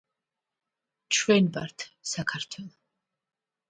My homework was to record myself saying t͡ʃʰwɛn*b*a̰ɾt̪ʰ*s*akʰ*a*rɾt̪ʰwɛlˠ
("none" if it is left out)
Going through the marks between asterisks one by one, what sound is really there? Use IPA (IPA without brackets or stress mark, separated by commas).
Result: b, s, a